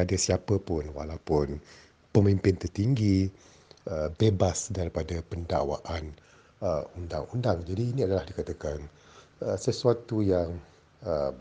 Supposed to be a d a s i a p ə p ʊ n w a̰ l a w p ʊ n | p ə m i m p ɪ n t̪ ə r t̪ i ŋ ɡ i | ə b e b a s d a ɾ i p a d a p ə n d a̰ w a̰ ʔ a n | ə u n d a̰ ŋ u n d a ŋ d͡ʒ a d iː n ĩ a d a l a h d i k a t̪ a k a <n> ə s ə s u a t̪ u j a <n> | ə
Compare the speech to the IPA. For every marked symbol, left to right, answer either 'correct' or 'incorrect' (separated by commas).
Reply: correct, incorrect